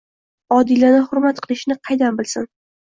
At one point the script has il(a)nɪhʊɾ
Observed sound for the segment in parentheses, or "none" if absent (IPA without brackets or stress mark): a